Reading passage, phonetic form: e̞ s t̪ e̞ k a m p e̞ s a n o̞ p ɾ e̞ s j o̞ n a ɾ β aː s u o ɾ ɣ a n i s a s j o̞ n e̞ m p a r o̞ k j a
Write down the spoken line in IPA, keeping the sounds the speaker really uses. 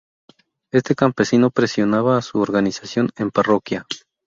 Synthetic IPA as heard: e̞ s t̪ e̞ k a m p e̞ s i n o̞ p ɾ e̞ s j o̞ n a β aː s u o ɾ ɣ a n i s a s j o̞ n e̞ m p a r o̞ k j a

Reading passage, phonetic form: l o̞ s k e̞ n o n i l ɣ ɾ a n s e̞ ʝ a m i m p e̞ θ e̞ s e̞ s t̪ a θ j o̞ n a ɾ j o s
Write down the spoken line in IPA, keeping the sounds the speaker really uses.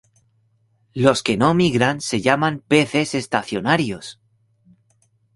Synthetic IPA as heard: l o̞ s k e̞ n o m i ɣ ɾ a n s e̞ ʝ a m a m p e̞ θ e̞ s e̞ s t̪ a θ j o̞ n a ɾ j o s

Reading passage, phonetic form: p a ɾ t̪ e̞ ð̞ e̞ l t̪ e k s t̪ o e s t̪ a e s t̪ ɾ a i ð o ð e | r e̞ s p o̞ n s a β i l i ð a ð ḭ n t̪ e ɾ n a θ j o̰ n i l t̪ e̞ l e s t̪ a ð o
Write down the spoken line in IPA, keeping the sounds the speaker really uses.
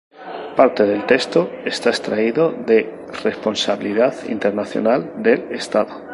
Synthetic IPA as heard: p a ɾ t̪ e̞ ð̞ e̞ l t̪ e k s t̪ o e s t̪ a e s t̪ ɾ a i ð o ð e | r e̞ s p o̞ n s a β i l i ð a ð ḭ n t̪ e ɾ n a θ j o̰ n a l d̪ e̞ l e s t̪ a ð o

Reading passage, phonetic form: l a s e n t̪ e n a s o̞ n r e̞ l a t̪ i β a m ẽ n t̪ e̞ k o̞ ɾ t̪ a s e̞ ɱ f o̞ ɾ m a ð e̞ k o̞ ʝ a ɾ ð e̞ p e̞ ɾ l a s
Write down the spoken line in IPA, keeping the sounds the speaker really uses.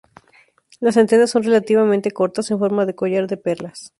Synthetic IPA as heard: l a s e n t̪ e n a s o̞ n r e̞ l a t̪ i β a m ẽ n t̪ e̞ k o̞ ɾ t̪ a s e̞ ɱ f o̞ ɾ m a ð e̞ k o̞ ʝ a ɾ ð e̞ p e̞ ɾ l a s

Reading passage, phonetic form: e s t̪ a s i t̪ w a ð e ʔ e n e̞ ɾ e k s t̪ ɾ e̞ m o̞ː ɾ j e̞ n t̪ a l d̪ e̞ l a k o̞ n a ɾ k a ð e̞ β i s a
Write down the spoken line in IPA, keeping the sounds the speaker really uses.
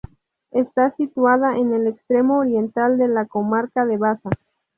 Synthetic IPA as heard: e s t̪ a s i t̪ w a ð a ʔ e n e̞ l e k s t̪ ɾ e̞ m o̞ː ɾ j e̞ n t̪ a l d̪ e̞ l a k o̞ m a ɾ k a ð e̞ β a s a

